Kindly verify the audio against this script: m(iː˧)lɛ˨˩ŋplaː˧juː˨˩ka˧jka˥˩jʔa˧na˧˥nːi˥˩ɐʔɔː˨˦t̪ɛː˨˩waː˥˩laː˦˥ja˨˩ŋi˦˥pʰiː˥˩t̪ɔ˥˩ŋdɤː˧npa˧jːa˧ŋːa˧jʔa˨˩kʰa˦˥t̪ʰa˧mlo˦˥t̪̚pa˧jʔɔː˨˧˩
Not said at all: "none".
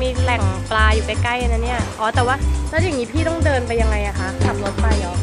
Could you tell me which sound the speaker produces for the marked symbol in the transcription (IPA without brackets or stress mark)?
iː˧